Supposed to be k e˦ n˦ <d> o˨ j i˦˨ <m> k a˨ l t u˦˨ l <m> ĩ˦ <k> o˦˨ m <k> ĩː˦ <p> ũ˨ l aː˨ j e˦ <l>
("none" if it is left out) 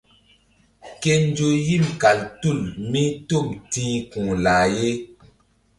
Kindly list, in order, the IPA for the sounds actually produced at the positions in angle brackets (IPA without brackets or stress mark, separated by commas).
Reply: d͡ʒ, m, m, t, t, k, none